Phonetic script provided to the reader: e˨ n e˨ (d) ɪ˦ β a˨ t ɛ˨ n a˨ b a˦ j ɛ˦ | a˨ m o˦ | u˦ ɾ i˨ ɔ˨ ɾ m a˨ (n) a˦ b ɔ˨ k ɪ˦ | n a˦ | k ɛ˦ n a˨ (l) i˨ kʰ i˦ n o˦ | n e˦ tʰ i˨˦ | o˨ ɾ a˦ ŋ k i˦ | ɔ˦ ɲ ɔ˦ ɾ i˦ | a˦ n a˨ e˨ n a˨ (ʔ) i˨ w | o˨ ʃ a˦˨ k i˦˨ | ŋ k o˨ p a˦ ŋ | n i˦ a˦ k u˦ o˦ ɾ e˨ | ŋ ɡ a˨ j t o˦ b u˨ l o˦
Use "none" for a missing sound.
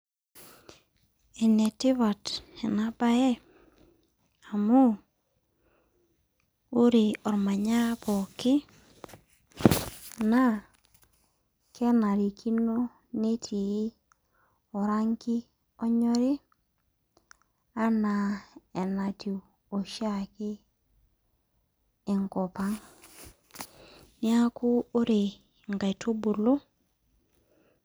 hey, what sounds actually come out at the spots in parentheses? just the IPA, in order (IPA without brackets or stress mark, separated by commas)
t, ɲ, ɾ, t